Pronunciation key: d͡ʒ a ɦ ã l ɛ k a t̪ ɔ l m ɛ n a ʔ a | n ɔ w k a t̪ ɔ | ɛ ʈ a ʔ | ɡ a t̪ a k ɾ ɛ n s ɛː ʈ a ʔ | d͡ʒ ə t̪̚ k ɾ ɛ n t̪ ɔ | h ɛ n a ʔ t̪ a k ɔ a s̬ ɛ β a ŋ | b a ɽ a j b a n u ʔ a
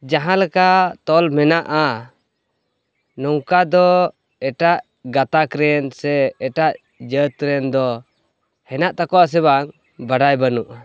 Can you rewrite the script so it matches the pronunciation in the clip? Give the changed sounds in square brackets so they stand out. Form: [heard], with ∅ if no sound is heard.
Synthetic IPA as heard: d͡ʒ a ɦ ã l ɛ k a t̪ ɔ l m ɛ n a ʔ a | n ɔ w k a [d̪] ɔ | ɛ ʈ a ʔ | ɡ a t̪ a k ɾ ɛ n s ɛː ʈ a ʔ | d͡ʒ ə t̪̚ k ɾ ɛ n [d̪] ɔ | h ɛ n a ʔ t̪ a k ɔ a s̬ ɛ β a ŋ | b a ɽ a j b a n u ʔ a